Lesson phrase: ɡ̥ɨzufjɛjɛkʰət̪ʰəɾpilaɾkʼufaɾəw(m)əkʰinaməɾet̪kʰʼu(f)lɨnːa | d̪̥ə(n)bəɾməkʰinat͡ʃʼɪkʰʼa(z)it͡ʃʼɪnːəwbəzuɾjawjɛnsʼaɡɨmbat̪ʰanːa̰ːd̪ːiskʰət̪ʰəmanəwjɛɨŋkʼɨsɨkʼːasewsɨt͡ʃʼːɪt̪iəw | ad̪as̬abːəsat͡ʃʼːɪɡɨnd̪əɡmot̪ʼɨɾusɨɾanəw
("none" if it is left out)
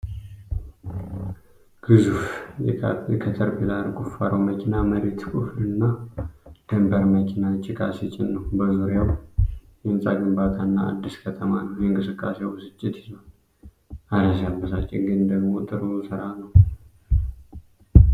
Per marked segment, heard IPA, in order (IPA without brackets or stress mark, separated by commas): m, f, m, s